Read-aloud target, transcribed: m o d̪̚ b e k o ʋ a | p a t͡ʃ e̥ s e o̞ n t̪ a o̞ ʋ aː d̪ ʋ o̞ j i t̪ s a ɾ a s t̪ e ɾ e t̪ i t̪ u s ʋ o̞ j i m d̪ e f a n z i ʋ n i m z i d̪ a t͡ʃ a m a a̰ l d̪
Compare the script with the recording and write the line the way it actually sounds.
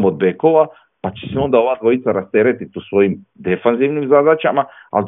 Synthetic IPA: m o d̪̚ b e k o ʋ a | p a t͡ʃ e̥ s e o̞ n d̪ a o̞ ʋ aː d̪ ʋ o̞ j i t̪ s a ɾ a s t̪ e ɾ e t̪ i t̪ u s ʋ o̞ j i m d̪ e f a n z i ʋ n i m z a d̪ a t͡ʃ a m a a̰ l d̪